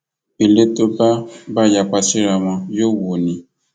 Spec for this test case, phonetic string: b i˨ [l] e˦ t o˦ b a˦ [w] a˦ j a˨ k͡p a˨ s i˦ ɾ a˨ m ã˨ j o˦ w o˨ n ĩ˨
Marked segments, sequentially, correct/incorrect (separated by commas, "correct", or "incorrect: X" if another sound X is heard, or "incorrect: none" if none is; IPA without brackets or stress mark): correct, incorrect: b